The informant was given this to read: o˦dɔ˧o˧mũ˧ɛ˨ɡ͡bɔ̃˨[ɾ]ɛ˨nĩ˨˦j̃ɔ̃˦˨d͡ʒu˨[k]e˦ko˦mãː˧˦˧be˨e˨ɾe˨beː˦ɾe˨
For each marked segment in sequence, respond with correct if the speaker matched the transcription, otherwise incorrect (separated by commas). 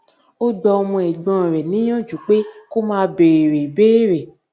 correct, incorrect